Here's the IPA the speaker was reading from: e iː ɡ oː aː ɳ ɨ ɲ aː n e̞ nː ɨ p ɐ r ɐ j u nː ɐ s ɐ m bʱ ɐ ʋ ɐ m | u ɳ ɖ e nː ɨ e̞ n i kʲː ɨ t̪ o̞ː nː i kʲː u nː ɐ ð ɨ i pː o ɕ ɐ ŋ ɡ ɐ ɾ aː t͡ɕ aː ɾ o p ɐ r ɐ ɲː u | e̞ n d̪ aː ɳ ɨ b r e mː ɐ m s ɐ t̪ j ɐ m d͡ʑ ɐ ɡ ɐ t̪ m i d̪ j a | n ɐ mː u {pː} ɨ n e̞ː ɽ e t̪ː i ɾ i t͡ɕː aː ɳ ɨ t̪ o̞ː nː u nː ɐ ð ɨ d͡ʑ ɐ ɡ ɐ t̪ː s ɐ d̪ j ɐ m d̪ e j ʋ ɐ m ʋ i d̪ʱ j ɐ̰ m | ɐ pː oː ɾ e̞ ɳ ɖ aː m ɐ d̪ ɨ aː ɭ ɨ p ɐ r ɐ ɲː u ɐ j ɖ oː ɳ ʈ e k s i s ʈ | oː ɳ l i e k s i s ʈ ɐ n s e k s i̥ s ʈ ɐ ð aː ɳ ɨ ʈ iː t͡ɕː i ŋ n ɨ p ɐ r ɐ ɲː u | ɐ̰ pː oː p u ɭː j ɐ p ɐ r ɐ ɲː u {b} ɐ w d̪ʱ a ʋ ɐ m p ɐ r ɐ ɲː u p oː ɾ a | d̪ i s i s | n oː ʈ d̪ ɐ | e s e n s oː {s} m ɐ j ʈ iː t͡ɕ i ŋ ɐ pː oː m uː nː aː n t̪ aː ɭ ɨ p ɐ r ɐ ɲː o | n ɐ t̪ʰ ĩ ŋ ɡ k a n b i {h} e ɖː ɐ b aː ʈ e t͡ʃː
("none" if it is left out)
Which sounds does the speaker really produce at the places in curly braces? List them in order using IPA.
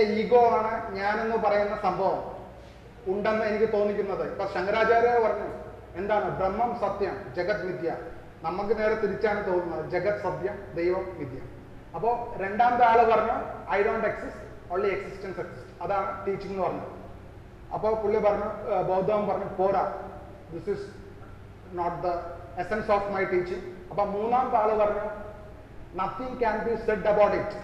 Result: kː, b, f, s

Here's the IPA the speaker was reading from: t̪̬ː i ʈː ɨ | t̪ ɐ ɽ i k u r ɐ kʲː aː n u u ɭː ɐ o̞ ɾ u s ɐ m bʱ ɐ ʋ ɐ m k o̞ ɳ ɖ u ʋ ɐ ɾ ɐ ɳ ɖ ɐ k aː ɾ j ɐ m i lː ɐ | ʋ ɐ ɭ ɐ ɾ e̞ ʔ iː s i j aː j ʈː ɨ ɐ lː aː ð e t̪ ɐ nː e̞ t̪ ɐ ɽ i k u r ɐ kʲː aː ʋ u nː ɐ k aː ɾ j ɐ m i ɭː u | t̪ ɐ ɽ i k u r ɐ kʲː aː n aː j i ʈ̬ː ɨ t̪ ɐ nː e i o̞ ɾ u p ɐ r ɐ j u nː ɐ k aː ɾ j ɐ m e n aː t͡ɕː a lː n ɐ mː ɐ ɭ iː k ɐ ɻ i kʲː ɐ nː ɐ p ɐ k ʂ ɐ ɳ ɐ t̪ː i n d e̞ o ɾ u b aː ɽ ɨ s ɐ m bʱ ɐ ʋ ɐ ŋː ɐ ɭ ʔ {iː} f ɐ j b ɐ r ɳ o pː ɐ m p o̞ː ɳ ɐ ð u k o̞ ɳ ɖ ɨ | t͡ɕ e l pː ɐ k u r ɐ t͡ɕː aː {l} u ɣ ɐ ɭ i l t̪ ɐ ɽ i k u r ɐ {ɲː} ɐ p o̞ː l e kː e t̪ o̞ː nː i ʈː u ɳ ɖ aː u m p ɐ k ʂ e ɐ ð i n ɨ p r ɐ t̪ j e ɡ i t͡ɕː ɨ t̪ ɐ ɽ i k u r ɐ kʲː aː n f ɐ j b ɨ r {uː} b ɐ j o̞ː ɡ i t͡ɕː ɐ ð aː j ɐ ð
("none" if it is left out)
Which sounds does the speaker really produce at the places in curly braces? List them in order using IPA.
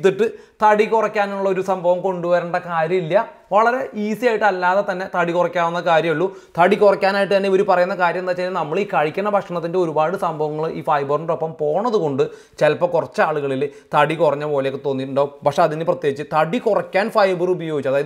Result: iː, ɭ, ɲː, u

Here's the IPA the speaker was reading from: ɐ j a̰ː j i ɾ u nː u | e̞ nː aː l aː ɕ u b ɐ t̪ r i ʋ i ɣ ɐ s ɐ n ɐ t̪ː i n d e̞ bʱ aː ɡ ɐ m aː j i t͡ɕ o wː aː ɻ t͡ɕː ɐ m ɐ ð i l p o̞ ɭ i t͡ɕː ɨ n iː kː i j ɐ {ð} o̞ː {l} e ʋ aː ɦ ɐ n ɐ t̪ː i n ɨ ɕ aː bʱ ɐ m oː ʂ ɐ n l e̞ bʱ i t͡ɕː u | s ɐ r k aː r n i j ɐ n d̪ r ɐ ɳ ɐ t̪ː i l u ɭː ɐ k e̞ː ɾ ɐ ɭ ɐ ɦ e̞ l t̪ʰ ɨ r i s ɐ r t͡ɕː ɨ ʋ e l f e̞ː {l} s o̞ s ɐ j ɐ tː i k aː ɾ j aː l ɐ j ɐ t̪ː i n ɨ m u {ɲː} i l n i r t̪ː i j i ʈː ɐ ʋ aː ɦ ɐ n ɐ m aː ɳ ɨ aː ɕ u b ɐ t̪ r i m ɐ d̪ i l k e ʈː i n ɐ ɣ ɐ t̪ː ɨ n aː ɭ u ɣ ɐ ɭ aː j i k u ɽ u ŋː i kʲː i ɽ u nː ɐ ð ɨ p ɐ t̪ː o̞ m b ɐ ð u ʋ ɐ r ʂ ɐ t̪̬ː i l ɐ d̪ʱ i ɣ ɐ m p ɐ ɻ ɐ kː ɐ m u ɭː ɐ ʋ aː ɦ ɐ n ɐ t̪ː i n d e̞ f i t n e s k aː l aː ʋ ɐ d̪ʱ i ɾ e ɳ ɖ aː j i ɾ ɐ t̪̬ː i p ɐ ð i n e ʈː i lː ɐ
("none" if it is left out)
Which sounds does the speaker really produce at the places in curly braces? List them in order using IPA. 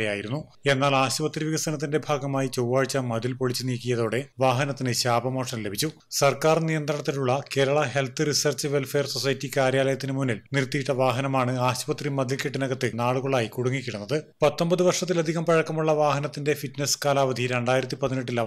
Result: ð, ɽ, r, nː

